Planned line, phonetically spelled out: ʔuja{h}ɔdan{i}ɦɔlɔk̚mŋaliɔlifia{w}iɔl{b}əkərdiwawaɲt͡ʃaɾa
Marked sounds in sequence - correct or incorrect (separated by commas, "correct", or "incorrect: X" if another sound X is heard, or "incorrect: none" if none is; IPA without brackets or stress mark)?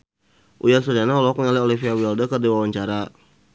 incorrect: s, incorrect: a, correct, incorrect: d